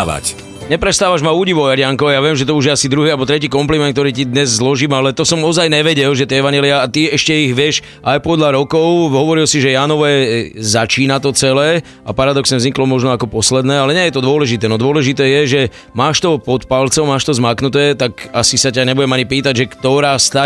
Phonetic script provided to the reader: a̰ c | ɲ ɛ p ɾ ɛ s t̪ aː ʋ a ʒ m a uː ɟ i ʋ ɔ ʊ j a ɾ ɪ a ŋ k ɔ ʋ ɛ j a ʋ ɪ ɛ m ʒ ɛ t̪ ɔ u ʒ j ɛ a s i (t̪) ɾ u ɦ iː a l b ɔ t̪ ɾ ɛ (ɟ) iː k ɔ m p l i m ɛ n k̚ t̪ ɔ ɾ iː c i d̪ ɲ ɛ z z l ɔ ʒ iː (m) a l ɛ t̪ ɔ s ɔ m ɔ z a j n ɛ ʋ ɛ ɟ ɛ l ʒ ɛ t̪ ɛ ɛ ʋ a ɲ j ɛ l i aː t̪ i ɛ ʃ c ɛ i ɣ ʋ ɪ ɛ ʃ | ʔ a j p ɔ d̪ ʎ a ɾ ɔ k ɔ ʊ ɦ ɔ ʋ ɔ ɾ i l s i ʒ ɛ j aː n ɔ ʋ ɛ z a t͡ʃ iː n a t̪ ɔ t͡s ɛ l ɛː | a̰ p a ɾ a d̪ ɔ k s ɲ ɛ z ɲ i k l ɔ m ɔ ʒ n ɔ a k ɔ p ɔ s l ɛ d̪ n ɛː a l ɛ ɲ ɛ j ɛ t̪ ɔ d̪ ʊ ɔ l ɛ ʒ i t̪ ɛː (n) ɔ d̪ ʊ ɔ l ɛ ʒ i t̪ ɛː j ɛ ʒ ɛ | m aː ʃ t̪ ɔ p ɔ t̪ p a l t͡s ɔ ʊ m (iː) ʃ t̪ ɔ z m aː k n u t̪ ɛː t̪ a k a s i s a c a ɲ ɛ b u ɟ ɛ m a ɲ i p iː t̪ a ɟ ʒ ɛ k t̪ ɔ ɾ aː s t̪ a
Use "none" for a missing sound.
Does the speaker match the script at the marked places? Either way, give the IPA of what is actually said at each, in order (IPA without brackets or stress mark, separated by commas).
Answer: d̪, c, m, n, aː